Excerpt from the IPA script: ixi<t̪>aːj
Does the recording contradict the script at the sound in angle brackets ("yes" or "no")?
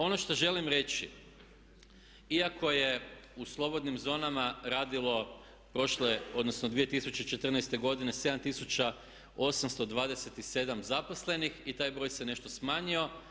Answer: no